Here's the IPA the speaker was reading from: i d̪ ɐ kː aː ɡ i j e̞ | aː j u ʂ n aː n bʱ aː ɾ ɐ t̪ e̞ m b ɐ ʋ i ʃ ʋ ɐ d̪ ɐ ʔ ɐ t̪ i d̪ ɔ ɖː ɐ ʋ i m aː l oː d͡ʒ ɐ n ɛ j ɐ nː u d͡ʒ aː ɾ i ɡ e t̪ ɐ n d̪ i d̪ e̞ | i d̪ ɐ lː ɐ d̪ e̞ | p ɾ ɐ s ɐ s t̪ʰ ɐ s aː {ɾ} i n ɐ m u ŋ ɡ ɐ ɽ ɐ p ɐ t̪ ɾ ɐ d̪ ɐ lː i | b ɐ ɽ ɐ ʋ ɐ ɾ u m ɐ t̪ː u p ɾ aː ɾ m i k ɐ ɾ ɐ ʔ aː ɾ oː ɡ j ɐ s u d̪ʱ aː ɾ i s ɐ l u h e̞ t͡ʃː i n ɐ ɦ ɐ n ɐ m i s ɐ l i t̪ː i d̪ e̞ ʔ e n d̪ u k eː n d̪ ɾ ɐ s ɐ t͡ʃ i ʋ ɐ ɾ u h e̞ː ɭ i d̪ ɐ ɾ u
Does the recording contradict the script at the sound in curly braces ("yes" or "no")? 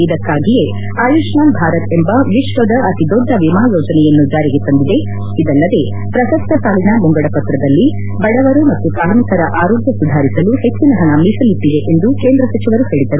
yes